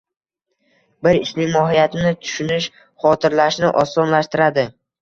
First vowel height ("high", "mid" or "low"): high